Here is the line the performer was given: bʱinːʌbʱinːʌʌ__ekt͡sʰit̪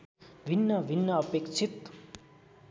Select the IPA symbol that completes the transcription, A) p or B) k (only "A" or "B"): A